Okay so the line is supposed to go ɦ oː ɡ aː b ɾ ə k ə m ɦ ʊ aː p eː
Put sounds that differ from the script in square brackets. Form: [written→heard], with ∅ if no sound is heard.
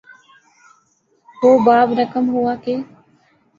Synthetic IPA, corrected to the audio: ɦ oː [ɡ→b] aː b ɾ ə k ə m ɦ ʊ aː [p→k] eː